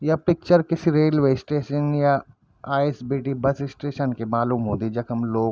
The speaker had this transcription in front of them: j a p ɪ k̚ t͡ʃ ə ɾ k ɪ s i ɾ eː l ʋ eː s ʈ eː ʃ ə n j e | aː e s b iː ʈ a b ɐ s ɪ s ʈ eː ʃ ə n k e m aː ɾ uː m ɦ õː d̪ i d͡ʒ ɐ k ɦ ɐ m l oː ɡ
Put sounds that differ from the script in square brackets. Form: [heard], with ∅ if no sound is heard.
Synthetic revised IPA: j a p ɪ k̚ t͡ʃ ə ɾ k ɪ s i ɾ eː l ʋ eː s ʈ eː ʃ ə n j [a] | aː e s b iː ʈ [i] b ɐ s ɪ s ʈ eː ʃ ə n k e m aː [l] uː m ɦ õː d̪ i d͡ʒ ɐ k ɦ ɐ m l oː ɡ